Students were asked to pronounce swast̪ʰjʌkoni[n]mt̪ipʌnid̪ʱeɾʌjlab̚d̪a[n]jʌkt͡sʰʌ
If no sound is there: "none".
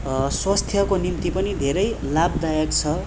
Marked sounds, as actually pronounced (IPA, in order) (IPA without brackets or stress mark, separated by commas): none, none